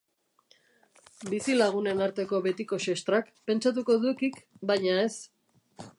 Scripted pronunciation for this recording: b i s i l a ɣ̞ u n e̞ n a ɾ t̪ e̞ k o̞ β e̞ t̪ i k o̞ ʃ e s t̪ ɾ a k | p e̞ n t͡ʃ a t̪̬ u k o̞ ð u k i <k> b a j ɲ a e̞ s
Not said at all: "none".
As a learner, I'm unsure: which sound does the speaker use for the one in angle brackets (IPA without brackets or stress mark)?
k